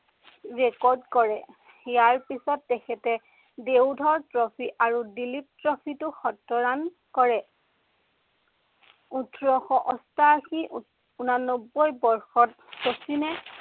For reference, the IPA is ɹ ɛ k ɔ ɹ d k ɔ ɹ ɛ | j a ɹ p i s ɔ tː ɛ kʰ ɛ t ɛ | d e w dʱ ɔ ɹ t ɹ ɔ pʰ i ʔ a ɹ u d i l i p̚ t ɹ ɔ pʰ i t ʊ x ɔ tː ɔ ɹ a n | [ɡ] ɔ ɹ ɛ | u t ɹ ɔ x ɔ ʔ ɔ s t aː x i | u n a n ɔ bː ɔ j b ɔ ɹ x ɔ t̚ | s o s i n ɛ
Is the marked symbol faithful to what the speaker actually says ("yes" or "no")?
no